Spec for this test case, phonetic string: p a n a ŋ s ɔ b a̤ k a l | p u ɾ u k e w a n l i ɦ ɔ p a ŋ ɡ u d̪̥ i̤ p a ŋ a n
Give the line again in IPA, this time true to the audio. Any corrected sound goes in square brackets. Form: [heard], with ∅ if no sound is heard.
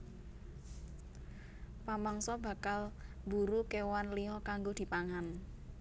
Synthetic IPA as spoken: p a [m] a ŋ s ɔ b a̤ k a l | [b] u ɾ u k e w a n l i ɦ ɔ [k] a ŋ ɡ [o] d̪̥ i̤ p a ŋ a n